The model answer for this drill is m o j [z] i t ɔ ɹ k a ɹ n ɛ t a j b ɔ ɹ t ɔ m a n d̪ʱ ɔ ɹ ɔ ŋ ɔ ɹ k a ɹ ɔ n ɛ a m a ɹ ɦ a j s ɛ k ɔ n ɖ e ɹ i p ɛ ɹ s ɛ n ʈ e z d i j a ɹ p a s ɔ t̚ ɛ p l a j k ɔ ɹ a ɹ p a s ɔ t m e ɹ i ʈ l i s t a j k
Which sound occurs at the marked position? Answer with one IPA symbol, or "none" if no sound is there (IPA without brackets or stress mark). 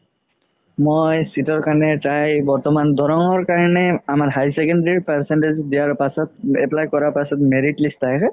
s